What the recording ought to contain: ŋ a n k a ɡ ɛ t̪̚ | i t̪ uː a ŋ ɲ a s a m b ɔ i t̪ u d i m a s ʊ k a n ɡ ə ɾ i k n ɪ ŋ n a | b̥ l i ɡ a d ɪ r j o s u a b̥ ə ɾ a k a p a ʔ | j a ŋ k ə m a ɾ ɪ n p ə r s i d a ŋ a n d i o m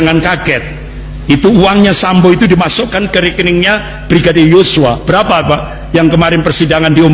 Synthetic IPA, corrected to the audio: ŋ a n k a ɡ ɛ t̪̚ | i t̪ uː a ŋ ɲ a s a m b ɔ i t̪ u d i m a s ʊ k a n k ə ɾ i k n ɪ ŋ ɲ a | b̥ ɾ i ɡ a d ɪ r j o s u a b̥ ə ɾ a p a p a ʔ | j a ŋ k ə m a ɾ ɪ n p ə r s i d a ŋ a n d i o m